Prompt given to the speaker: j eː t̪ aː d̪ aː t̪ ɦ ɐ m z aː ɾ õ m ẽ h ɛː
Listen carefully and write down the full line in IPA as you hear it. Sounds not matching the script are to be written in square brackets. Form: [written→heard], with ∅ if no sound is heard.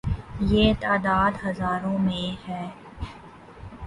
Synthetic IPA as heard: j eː t̪ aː d̪ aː [t̪→d̪] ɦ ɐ [m→∅] z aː ɾ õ m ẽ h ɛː